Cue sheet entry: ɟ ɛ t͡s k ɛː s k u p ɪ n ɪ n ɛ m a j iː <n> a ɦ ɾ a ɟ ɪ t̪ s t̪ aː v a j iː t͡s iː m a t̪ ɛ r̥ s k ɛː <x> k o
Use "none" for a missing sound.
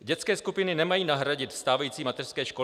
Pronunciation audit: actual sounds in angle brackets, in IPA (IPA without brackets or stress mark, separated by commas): n, ʃ